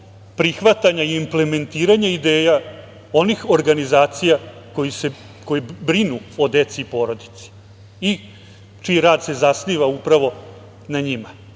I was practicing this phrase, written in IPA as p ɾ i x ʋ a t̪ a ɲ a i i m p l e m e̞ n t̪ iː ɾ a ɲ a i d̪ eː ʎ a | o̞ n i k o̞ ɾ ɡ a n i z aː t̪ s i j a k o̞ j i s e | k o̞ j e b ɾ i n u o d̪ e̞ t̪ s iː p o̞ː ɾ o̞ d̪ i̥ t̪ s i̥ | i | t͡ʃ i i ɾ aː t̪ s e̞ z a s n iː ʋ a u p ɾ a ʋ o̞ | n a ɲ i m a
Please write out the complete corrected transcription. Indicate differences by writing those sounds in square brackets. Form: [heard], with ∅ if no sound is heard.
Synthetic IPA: p ɾ i x ʋ a t̪ a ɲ a i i m p l e m e̞ n t̪ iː ɾ a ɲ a i d̪ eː [j] a | o̞ n i [x] o̞ ɾ ɡ a n i z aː t̪ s i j a k o̞ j i s e | k o̞ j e b ɾ i n u o d̪ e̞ t̪ s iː p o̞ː ɾ o̞ d̪ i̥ t̪ s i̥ | i | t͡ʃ i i ɾ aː [d̪] s e̞ z a s n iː ʋ a u p ɾ a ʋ o̞ | n a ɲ i m a

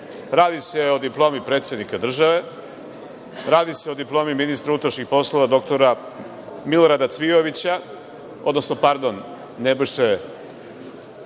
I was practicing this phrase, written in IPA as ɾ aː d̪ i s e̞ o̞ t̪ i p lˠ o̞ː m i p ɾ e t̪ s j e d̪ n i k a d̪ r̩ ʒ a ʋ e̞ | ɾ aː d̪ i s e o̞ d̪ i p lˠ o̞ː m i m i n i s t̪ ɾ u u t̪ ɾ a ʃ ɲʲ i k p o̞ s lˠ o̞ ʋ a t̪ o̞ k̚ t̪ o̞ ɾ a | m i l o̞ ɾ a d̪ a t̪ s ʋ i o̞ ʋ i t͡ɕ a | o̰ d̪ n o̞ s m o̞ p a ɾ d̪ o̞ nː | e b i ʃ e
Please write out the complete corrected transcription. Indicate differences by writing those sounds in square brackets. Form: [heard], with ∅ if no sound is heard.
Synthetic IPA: ɾ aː d̪ i s e̞ o̞ [d̪] i p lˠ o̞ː m i p ɾ e t̪ s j e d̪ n i k a d̪ r̩ ʒ a ʋ e̞ | ɾ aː d̪ i s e o̞ d̪ i p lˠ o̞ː m i m i n i s t̪ ɾ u u t̪ ɾ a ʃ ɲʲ i [x] p o̞ s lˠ o̞ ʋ a [d̪] o̞ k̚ t̪ o̞ ɾ a | m i l o̞ ɾ a d̪ a t̪ s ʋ i o̞ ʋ i t͡ɕ a | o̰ d̪ n o̞ s [n] o̞ p a ɾ d̪ o̞ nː | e b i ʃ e

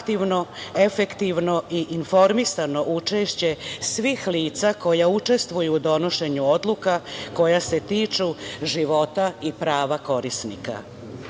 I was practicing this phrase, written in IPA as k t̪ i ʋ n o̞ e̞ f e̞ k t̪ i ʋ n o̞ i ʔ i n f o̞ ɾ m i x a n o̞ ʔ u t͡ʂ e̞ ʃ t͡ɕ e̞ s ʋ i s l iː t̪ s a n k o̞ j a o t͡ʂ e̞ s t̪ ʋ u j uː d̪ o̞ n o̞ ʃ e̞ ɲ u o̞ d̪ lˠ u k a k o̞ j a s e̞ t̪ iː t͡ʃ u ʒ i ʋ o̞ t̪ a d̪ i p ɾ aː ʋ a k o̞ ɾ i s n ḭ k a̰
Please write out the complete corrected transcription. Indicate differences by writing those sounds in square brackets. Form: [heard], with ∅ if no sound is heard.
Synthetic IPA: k t̪ i ʋ n o̞ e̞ f e̞ k t̪ i ʋ n o̞ i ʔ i n f o̞ ɾ m i [s] a n o̞ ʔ u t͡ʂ e̞ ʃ t͡ɕ e̞ s ʋ i [x] l iː t̪ s a [∅] k o̞ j a [u] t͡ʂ e̞ s t̪ ʋ u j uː d̪ o̞ n o̞ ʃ e̞ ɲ u o̞ d̪ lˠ u k a k o̞ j a s e̞ t̪ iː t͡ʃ u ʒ i ʋ o̞ t̪ a [∅] i p ɾ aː ʋ a k o̞ ɾ i s n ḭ k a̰

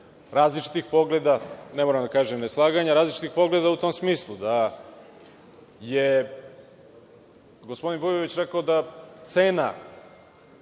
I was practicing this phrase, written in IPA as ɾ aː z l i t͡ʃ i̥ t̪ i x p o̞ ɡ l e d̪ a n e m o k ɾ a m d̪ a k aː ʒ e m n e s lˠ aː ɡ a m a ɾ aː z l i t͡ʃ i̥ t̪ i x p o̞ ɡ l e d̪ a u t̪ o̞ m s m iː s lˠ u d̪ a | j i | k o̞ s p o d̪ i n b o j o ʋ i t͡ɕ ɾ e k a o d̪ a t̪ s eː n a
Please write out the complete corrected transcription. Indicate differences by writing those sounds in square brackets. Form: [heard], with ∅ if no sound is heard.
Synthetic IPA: ɾ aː z l i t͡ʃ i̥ t̪ i x p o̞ ɡ l e d̪ a n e m o [∅] ɾ a m d̪ a k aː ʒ e m n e s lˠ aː ɡ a [ɲ] a ɾ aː z l i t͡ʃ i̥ t̪ i x p o̞ ɡ l e d̪ a u t̪ o̞ m s m iː s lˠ u d̪ a | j [e] | [ɡ] o̞ s p o d̪ i n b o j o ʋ i t͡ɕ ɾ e k a o d̪ a t̪ s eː n a

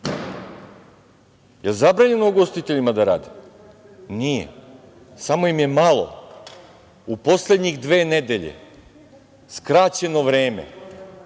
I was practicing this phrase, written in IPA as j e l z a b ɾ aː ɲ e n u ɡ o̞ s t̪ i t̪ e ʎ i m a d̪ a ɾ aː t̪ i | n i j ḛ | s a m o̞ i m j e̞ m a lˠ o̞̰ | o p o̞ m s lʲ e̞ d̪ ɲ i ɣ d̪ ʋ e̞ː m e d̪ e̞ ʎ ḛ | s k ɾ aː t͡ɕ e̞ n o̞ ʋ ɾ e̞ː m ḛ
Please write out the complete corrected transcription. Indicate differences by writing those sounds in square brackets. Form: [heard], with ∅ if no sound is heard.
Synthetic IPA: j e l z a b ɾ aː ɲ e n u ɡ o̞ s t̪ i t̪ e ʎ i m a d̪ a ɾ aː [d̪] i | n i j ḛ | s a m o̞ i m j e̞ m a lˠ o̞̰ | [u] p o̞ [∅] s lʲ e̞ d̪ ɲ i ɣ d̪ ʋ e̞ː [n] e d̪ e̞ ʎ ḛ | s k ɾ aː t͡ɕ e̞ n o̞ ʋ ɾ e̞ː m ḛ

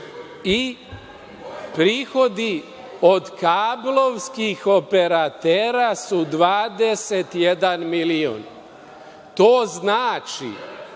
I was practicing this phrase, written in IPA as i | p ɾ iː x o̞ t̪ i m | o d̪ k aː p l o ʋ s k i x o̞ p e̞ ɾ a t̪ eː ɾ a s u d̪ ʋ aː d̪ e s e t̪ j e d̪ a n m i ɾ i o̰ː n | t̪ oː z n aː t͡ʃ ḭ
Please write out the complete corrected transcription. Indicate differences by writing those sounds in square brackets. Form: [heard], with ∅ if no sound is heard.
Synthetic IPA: i | p ɾ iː x o̞ [d̪] i [∅] | o d̪ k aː [b] l o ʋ s k i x o̞ p e̞ ɾ a t̪ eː ɾ a s u d̪ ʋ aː d̪ e s e t̪ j e d̪ a n m i [l] i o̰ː n | t̪ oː z n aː t͡ʃ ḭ

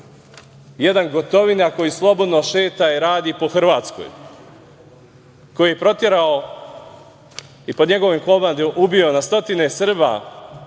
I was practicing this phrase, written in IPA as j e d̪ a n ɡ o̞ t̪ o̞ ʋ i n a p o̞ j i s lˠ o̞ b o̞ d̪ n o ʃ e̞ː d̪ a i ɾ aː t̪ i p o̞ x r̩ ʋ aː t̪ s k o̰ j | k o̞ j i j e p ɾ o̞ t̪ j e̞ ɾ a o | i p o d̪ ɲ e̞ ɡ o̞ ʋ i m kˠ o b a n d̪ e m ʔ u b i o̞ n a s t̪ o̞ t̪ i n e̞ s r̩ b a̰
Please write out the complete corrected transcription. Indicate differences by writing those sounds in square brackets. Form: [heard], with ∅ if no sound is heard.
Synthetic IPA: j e d̪ a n ɡ o̞ t̪ o̞ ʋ i n a [k] o̞ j i s lˠ o̞ b o̞ d̪ n o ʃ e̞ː [t̪] a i ɾ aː [d̪] i p o̞ x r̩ ʋ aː t̪ s k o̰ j | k o̞ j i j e p ɾ o̞ t̪ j e̞ ɾ a o | i p o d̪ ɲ e̞ ɡ o̞ ʋ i m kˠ o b a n d̪ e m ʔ u b i o̞ n a s t̪ o̞ t̪ i n e̞ s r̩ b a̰

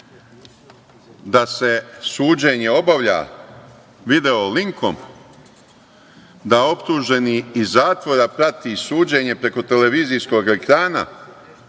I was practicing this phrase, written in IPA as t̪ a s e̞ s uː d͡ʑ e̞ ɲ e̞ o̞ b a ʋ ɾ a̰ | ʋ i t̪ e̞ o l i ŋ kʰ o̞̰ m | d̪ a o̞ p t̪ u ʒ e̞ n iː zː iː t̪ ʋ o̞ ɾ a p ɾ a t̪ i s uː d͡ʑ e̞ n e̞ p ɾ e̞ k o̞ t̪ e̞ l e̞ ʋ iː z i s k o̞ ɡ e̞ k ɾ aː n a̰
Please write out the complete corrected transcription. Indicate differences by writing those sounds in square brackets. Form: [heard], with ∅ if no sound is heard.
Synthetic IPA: [d̪] a s e̞ s uː d͡ʑ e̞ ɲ e̞ o̞ b a ʋ [ʎ] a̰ | ʋ i [d̪] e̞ o l i ŋ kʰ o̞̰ m | d̪ a o̞ p t̪ u ʒ e̞ n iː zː [aː] t̪ ʋ o̞ ɾ a p ɾ a t̪ i s uː d͡ʑ e̞ [ɲ] e̞ p ɾ e̞ k o̞ t̪ e̞ l e̞ ʋ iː z i s k o̞ ɡ e̞ k ɾ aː n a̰

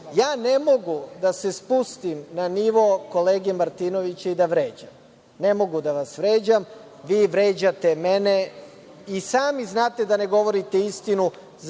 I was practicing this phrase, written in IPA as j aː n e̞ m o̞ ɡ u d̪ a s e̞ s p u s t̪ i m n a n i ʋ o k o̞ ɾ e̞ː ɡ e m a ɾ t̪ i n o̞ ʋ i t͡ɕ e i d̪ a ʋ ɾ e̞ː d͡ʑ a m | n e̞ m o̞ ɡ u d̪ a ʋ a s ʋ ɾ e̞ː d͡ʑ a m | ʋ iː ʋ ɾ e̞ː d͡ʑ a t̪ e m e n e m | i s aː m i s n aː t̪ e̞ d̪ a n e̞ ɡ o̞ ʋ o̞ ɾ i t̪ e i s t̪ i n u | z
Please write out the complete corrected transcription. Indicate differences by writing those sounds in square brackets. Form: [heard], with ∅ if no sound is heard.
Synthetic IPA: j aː n e̞ m o̞ ɡ u d̪ a s e̞ s p u s t̪ i m n a n i ʋ o k o̞ [l] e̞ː ɡ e m a ɾ t̪ i n o̞ ʋ i t͡ɕ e i d̪ a ʋ ɾ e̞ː d͡ʑ a m | n e̞ m o̞ ɡ u d̪ a ʋ a s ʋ ɾ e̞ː d͡ʑ a m | ʋ iː ʋ ɾ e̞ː d͡ʑ a t̪ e m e n e [∅] | i s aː m i [z] n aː t̪ e̞ d̪ a n e̞ ɡ o̞ ʋ o̞ ɾ i t̪ e i s t̪ i n u | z

